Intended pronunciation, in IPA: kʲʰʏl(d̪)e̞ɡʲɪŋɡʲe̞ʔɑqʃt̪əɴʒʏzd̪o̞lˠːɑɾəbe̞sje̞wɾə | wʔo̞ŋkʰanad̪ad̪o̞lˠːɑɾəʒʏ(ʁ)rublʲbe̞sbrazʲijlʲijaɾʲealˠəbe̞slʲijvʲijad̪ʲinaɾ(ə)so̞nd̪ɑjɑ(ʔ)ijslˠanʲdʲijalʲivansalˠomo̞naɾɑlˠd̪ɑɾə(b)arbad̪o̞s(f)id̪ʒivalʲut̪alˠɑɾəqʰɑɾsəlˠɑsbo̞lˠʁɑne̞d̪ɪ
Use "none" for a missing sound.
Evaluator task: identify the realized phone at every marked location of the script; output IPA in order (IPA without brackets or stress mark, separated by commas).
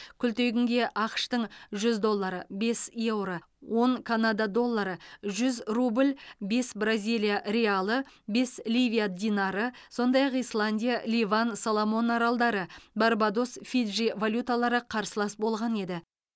t̪, z, ə, q, b, f